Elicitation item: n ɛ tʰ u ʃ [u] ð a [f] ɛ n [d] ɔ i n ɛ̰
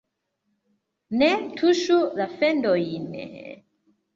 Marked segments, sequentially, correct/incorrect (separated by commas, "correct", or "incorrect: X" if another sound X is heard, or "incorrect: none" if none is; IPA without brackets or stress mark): correct, correct, correct